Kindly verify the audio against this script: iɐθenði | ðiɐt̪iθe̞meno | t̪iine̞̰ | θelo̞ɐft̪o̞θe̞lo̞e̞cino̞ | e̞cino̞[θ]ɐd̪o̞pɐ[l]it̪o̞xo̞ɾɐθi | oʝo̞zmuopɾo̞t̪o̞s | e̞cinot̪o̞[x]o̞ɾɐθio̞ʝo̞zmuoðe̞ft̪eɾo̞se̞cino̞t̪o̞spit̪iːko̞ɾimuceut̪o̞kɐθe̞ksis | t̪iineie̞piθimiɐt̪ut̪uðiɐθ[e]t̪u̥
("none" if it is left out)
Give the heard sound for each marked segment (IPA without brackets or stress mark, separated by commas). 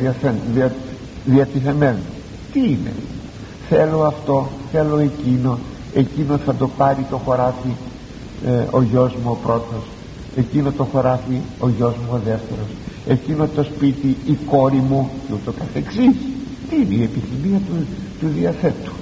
θ, ɾ, x, e